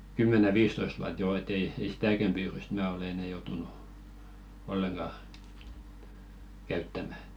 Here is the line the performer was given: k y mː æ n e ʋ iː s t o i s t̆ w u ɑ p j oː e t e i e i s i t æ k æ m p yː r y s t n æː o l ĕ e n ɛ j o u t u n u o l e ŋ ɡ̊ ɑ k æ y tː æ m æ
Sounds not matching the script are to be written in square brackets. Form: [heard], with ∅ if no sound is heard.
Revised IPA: k y mː æ n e ʋ iː s t o i s t̆ w u ɑ [t] j oː e t e i e i s i t æ k æ m p yː r y s t [m] æː o l ĕ e n ɛ j o u t u n u o [lː] e ŋ ɡ̊ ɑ k æ y tː æ m æ

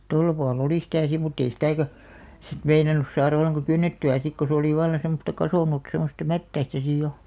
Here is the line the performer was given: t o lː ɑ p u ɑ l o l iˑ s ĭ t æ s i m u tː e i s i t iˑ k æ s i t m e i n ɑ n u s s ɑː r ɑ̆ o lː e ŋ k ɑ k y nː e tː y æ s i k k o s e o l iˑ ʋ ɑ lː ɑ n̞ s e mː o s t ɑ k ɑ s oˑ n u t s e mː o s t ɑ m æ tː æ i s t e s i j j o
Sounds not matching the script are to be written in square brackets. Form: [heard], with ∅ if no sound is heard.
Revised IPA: t o lː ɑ p u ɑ l o l iˑ s ĭ t æ s i m u tː e i s i t [æˑ] k æ s i t m e i n ɑ n u s s ɑː r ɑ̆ o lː e ŋ k ɑ k y nː e tː y æ s i k k o s e o l iˑ ʋ ɑ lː ɑ n̞ s e mː o s t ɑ k ɑ s oˑ n u t s e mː o s t ɑ m æ tː æ i s t [æ] s i j j o

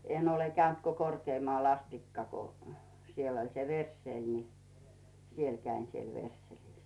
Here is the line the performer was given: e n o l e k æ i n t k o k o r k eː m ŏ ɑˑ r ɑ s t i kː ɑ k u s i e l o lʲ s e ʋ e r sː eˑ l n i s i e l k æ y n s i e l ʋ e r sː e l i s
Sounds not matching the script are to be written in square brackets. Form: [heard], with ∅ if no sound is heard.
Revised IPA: e n o l e k æ [y] n t k o k o r k eː m ŏ ɑˑ [l] ɑ s t i kː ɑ k [o] s i e l o lʲ s e ʋ e r sː eˑ l n i s i e l k æ [i] n s i e l ʋ e r sː e l i s

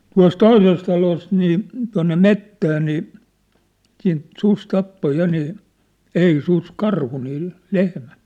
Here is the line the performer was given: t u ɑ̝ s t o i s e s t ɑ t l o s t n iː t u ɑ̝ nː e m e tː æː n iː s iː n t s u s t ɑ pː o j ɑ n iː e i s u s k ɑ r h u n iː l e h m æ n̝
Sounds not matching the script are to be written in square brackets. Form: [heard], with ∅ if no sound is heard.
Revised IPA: t u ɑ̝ s t o i s e s t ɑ [∅] l o s t n iː t u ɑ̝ nː e m e tː æː n iː s iː n t s u s t ɑ pː o j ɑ n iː e i s u s k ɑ r h u n iː l e h m æ n̝

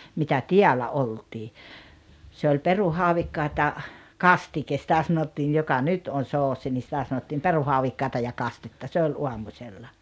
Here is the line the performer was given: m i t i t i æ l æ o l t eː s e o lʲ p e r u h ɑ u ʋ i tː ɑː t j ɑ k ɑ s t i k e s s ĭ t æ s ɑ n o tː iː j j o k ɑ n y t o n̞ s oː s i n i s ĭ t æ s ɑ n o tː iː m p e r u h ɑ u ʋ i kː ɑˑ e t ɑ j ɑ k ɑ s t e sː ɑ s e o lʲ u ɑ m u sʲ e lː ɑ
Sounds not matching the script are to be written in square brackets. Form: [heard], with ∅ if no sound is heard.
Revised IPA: m i t [æ] t i æ l æ o l t [iː] s e o lʲ p e r u h ɑ u ʋ i [kː] ɑː t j ɑ k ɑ s t i k e s s ĭ t æ s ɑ n o tː iː j j o k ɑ n y t o n̞ s oː s i n i s ĭ t æ s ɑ n o tː iː m p e r u h ɑ u ʋ i kː ɑˑ e t ɑ j ɑ k ɑ s t e [tː] ɑ s e o lʲ u ɑ m u sʲ e lː ɑ

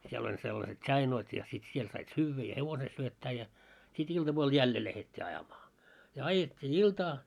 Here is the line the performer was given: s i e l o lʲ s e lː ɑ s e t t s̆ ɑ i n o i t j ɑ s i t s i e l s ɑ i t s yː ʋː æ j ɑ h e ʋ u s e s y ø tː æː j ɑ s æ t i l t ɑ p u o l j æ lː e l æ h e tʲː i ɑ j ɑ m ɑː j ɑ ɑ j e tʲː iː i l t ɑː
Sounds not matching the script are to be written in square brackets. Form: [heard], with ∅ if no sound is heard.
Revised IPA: s i e l o lʲ s e lː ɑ s e t t s̆ ɑ i n o i t j ɑ s i t s i e l s ɑ i t s yː ʋː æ j ɑ h e ʋ [o] s e s y ø tː æː j ɑ s [i] t i l t ɑ p u o l j æ lː e l æ h e tʲː i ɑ j ɑ m ɑː j ɑ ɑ j e tʲː iː i l t ɑː

